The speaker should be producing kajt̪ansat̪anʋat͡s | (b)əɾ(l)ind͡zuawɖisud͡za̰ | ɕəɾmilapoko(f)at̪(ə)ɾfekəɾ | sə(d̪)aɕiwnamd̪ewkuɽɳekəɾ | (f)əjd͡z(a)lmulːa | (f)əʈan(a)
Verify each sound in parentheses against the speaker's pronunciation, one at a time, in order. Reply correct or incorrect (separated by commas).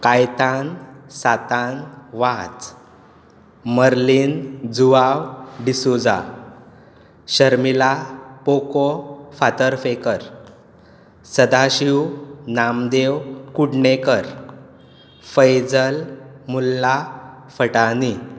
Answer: incorrect, correct, correct, correct, correct, correct, incorrect, correct, incorrect